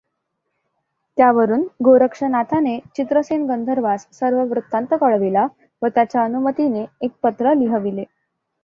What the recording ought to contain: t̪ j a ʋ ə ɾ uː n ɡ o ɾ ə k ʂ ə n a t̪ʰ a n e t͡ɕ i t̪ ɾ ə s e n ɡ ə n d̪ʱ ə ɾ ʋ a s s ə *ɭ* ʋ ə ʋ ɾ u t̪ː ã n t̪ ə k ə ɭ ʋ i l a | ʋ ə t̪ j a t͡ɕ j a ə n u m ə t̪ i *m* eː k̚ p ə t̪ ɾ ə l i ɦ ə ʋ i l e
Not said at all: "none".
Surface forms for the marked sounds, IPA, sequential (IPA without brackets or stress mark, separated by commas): ɾ, n